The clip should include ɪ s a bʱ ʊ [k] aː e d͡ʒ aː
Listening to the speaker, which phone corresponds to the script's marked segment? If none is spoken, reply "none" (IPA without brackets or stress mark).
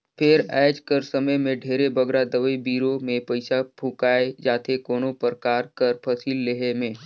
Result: k